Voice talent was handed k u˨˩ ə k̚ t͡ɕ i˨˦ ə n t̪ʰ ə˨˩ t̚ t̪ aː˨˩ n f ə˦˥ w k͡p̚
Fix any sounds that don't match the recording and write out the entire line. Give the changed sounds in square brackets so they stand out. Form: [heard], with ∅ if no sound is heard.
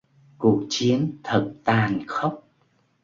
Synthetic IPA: k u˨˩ ə k̚ t͡ɕ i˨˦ ə n t̪ʰ ə˨˩ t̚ t̪ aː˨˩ n [x] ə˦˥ w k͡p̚